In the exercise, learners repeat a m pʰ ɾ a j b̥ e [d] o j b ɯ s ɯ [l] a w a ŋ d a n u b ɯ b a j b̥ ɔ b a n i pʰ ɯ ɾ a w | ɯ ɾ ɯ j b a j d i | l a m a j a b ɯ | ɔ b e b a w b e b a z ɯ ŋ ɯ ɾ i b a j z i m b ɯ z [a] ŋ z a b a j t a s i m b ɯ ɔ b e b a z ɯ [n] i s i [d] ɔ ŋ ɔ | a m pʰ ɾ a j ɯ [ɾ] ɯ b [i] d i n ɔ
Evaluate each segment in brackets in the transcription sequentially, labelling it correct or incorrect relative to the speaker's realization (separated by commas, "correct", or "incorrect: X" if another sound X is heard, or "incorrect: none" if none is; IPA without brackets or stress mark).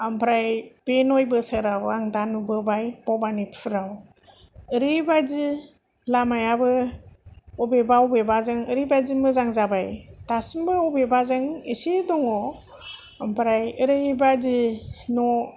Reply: incorrect: n, incorrect: ɾ, correct, incorrect: ŋ, correct, correct, incorrect: a